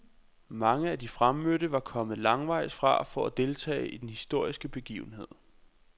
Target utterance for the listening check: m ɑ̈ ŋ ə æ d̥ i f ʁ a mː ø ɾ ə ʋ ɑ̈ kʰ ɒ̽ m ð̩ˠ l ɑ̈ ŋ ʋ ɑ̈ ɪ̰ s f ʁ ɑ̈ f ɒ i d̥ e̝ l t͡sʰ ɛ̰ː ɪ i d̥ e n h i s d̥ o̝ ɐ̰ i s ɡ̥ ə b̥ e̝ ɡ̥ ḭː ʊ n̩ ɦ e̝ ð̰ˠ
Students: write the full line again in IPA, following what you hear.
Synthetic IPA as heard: m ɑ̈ ŋ ə æ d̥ i f ʁ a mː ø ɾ ə ʋ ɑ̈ kʰ ɒ̽ m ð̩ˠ l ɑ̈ ŋ ʋ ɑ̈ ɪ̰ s f ʁ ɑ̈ f ɒ æ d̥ e̝ l t͡sʰ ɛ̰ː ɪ i d̥ e n h i s d̥ o̝ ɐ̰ i s ɡ̥ ə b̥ e̝ ɡ̥ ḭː ʊ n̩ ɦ e̝ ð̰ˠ